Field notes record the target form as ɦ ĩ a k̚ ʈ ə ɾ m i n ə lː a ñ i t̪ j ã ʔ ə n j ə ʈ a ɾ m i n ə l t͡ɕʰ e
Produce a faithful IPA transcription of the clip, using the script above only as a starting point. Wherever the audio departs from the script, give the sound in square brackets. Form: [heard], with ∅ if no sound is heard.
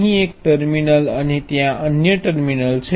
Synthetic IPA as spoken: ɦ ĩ [e] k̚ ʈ ə ɾ m i n ə [l] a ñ i t̪ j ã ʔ ə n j ə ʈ [ə] ɾ m i n ə l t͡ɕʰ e